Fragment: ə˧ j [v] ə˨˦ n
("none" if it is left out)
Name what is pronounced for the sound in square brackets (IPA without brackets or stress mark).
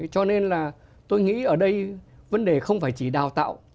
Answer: v